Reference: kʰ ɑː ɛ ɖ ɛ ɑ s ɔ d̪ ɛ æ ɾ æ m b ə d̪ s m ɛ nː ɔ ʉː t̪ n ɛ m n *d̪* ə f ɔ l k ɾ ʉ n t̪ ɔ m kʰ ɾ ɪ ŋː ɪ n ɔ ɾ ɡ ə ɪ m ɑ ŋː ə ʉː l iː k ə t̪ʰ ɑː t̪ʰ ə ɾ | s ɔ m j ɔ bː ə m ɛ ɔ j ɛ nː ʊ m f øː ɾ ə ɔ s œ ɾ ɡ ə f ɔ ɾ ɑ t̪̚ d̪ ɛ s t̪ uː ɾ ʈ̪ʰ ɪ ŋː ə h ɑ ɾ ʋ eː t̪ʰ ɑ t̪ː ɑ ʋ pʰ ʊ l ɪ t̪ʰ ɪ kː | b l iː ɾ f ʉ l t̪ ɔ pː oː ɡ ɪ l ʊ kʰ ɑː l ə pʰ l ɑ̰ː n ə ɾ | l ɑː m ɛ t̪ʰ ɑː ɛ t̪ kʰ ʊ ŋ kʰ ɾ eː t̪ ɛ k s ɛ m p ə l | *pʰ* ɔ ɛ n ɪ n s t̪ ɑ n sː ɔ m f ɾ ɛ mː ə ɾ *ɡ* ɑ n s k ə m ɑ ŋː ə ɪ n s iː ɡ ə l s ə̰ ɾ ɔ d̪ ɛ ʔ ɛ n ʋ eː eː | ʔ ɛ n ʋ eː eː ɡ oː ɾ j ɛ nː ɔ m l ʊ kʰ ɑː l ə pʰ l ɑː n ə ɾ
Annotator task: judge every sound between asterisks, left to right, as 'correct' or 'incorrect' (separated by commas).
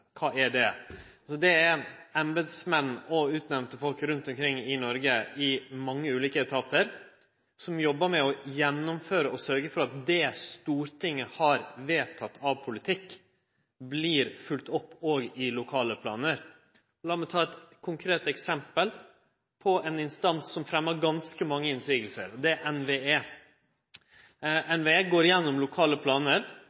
incorrect, correct, correct